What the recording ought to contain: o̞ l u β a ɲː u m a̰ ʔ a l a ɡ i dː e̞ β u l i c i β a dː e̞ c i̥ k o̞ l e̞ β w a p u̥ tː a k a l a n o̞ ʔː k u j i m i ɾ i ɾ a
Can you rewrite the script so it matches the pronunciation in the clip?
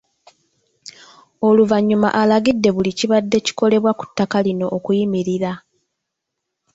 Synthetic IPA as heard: o̞ l u v a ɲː u m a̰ ʔ a l a ɡ i dː e̞ β u l i c i β a dː e̞ c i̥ k o̞ l e̞ β w a k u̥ tː a k a l i n o̞ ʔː k u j i m i ɾ i ɾ a